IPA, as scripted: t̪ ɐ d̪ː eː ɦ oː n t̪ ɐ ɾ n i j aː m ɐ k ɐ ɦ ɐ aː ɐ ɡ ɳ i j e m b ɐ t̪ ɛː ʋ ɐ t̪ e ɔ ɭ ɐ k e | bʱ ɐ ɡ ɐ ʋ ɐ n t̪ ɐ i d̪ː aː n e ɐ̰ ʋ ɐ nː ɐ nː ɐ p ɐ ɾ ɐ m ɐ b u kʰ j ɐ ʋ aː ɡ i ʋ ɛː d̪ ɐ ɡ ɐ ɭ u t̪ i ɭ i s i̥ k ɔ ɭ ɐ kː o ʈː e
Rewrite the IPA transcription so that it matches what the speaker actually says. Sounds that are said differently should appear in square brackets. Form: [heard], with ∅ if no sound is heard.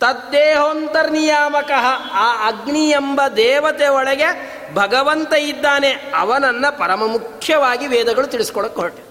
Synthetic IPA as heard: t̪ ɐ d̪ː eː ɦ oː n t̪ ɐ ɾ n i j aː m ɐ k ɐ ɦ ɐ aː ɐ ɡ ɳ i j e m b ɐ [d̪] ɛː ʋ ɐ t̪ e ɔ ɭ ɐ [ɡ] e | bʱ ɐ ɡ ɐ ʋ ɐ n t̪ ɐ i d̪ː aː n e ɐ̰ ʋ ɐ [n] ɐ nː ɐ p ɐ ɾ ɐ m ɐ [m] u kʰ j ɐ ʋ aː ɡ i ʋ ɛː d̪ ɐ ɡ ɐ ɭ u t̪ i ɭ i s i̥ k ɔ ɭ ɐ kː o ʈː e